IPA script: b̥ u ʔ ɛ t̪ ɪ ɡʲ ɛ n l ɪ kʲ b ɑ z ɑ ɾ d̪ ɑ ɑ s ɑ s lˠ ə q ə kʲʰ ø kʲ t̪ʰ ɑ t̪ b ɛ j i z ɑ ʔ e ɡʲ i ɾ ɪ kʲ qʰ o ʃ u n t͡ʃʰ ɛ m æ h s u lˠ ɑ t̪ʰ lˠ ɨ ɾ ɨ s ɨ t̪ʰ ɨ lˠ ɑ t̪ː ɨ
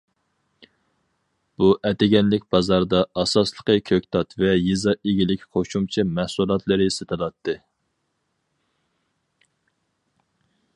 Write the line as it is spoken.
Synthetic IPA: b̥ u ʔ ɛ t̪ ɪ ɡʲ ɛ n l ɪ kʲ b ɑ z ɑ ɾ d̪ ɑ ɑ s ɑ s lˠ ə q ə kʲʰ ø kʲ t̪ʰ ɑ t̪ v ɛ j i z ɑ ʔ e ɡʲ i l ɪ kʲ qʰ o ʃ u m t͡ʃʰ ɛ m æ h s u lˠ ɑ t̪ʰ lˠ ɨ ɾ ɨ s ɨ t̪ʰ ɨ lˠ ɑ t̪ː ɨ